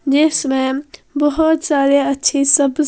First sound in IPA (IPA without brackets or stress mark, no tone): d͡ʒ